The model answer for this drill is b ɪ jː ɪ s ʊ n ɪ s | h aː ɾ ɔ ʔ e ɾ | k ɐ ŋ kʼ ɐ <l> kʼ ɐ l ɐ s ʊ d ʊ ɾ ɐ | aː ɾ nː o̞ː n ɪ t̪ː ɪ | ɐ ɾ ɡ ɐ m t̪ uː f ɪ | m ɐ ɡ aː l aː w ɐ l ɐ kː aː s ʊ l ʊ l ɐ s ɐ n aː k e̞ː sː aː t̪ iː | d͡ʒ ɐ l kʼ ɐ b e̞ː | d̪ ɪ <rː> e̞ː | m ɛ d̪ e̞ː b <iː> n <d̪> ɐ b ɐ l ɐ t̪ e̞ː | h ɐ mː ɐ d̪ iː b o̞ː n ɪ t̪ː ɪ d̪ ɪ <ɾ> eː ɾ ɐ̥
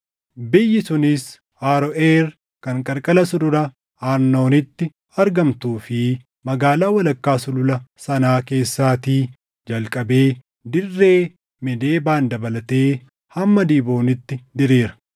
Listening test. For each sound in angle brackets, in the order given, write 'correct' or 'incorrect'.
incorrect: ɾ, correct, incorrect: aː, correct, correct

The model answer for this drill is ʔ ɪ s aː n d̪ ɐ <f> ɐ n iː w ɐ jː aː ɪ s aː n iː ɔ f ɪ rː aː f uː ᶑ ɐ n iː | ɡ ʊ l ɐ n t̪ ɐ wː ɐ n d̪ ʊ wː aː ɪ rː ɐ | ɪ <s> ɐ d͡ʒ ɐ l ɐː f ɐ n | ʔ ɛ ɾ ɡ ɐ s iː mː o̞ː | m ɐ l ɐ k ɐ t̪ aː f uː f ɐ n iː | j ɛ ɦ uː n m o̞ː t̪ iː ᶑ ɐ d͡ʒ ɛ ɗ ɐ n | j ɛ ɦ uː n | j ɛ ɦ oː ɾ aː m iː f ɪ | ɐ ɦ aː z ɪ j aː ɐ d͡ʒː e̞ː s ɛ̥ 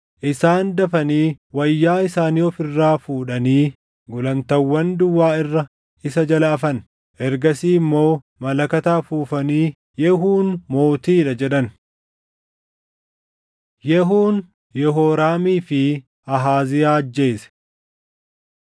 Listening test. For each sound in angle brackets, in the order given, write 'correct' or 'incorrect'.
correct, correct

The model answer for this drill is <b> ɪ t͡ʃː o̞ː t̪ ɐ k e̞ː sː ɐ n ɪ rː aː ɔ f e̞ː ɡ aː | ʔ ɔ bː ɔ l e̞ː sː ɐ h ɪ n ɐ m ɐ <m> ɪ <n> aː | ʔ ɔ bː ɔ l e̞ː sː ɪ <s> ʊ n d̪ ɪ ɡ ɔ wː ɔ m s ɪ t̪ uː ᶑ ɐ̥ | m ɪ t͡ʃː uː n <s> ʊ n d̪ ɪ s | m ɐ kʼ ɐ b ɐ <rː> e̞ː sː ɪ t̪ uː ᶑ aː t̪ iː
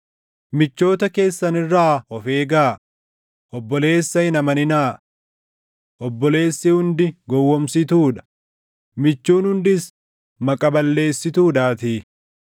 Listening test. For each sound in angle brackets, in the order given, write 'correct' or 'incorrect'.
incorrect: m, incorrect: n, correct, incorrect: h, incorrect: h, incorrect: lː

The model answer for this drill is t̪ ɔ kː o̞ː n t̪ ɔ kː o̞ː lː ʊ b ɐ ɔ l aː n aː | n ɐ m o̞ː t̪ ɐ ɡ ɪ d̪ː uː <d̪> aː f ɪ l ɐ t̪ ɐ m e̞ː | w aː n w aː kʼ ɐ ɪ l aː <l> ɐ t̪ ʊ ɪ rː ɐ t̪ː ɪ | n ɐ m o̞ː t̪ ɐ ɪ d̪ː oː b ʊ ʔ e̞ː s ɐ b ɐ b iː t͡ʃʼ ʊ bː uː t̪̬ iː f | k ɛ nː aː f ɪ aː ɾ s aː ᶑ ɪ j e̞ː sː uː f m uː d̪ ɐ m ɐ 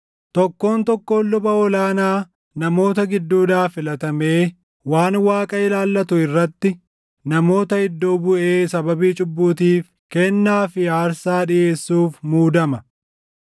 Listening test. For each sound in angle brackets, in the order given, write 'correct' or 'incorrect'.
correct, incorrect: lː

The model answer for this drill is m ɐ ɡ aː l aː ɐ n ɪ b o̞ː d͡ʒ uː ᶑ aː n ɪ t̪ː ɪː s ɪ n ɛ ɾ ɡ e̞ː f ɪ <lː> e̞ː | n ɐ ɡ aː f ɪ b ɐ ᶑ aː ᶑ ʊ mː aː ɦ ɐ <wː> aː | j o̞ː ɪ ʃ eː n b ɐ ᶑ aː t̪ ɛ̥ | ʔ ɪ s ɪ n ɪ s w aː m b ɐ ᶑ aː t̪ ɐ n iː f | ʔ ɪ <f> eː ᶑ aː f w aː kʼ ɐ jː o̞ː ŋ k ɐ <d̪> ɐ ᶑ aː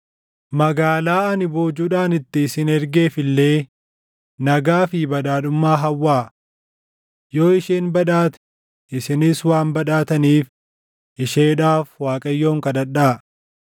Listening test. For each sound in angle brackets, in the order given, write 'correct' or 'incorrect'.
correct, correct, incorrect: ʃ, correct

